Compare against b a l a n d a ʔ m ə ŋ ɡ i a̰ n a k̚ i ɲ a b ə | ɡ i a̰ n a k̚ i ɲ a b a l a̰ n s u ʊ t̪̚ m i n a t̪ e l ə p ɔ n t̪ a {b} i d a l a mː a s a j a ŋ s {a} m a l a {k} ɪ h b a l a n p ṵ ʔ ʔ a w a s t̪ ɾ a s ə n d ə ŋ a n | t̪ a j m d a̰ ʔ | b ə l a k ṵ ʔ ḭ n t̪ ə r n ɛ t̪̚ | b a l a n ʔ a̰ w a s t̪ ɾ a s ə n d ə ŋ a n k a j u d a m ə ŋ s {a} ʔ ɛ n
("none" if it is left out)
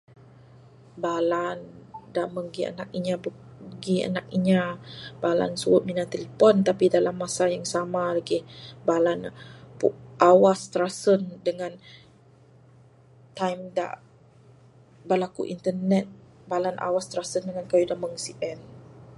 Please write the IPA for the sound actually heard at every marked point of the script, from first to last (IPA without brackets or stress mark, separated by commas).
p, a, ɡ, i